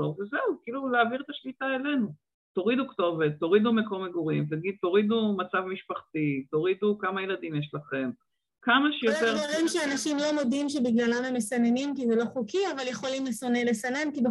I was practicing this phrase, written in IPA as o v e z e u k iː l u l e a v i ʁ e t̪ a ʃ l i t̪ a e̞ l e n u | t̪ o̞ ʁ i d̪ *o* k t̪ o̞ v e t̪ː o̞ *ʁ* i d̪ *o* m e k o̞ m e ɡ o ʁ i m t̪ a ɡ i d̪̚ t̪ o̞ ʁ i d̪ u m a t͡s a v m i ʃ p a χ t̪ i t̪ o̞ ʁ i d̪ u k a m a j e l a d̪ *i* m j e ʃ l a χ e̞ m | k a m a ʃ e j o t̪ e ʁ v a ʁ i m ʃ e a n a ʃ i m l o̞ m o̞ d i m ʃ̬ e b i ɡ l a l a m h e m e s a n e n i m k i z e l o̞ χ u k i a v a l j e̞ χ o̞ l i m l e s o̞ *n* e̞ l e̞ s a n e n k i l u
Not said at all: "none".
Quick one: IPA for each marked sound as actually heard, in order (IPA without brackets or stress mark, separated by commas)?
u, ʁ, u, i, n